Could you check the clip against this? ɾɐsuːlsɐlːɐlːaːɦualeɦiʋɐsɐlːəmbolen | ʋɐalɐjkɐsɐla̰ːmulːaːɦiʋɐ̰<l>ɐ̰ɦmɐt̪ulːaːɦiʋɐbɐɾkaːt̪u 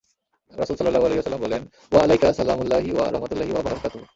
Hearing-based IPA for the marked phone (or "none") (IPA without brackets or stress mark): ɾ